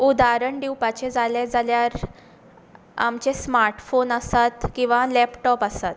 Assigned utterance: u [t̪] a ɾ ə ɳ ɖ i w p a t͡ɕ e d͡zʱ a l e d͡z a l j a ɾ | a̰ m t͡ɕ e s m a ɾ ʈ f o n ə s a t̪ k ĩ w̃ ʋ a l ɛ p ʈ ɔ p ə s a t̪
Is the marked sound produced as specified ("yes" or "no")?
no